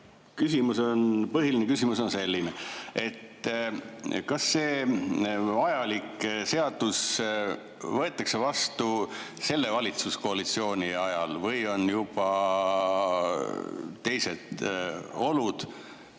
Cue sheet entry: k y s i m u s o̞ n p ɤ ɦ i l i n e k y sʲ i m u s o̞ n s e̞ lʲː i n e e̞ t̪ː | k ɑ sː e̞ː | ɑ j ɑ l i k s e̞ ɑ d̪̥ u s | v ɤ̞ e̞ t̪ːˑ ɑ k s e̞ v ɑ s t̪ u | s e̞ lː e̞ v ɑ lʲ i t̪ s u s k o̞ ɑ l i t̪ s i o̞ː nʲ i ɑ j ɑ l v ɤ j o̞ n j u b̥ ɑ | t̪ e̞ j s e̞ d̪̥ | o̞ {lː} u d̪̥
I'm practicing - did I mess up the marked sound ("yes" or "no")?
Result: yes